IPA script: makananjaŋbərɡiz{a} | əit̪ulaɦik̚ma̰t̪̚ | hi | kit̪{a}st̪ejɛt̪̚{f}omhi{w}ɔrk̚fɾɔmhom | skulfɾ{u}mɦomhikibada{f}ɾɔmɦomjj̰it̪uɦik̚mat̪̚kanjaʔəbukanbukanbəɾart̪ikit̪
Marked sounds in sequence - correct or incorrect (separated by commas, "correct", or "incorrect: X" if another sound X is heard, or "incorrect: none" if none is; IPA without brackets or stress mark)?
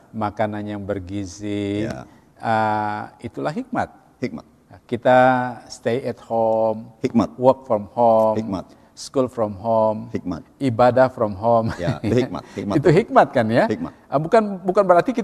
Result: incorrect: i, correct, incorrect: h, correct, incorrect: ɔ, correct